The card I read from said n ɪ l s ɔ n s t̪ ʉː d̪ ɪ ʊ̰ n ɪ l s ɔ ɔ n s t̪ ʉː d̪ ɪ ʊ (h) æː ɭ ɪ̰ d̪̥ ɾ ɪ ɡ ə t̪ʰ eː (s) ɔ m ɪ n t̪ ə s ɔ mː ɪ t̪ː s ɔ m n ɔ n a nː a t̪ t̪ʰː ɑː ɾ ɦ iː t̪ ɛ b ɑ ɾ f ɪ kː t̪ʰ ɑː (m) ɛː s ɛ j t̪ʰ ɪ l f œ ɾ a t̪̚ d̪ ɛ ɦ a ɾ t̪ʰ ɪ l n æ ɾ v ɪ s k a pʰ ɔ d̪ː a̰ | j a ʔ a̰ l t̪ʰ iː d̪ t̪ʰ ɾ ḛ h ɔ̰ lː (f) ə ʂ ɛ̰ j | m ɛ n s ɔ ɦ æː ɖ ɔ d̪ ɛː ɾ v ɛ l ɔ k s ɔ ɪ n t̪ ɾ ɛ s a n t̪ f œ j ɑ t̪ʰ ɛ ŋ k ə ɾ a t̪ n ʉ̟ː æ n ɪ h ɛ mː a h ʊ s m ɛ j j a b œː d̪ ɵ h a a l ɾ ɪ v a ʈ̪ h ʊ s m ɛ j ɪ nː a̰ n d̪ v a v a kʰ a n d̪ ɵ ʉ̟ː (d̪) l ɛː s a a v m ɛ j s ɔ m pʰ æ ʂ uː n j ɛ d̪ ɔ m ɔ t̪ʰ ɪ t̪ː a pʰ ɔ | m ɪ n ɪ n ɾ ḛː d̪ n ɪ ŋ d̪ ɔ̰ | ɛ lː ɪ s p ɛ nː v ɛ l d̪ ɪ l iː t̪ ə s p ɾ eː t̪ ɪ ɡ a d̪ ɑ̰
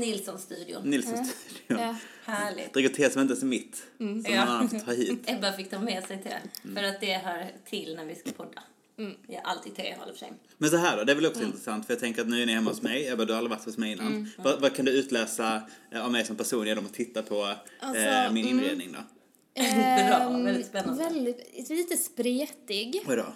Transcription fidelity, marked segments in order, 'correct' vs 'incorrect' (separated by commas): correct, correct, correct, correct, incorrect